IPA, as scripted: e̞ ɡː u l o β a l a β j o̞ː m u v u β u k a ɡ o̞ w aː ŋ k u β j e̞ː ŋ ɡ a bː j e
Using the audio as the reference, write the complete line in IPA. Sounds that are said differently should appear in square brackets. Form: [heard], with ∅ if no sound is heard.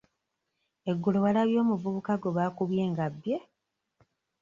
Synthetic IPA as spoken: e̞ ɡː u l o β a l a β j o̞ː m u v u β u k a ɡ o̞ [β] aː [∅] k u β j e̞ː ŋ ɡ a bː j e